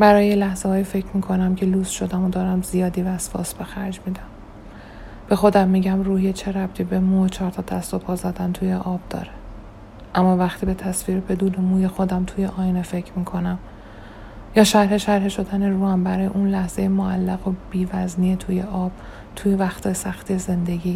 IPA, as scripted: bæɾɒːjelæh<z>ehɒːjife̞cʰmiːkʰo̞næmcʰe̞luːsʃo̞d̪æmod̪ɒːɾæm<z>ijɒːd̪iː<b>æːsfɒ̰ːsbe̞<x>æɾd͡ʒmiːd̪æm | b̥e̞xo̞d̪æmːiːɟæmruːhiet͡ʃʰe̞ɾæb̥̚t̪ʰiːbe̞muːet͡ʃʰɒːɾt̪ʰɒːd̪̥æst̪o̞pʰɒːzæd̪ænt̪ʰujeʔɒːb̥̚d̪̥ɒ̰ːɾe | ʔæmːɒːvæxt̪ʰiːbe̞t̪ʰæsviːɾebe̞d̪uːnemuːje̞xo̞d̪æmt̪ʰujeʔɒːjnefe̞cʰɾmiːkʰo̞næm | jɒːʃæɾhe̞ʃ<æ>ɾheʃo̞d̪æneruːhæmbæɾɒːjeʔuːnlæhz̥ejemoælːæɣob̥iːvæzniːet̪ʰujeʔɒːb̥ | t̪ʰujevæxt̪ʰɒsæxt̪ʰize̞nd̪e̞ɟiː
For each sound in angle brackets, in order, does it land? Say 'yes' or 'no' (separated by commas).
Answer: yes, yes, no, yes, yes